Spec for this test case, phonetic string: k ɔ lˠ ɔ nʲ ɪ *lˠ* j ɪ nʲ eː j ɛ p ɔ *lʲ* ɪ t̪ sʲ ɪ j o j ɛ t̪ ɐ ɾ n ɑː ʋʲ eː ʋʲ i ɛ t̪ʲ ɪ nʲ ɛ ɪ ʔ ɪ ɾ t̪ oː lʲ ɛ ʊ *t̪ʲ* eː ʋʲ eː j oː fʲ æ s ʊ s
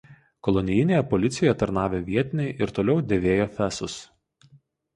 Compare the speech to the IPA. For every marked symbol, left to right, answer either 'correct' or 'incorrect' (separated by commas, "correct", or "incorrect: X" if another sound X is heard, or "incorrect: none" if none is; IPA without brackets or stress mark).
incorrect: none, correct, incorrect: d̪ʲ